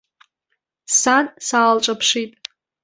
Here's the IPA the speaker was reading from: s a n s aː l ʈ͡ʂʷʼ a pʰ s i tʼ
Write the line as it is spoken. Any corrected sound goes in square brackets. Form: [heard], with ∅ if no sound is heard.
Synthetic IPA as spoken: s a n s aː l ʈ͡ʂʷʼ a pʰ [ʂ] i tʼ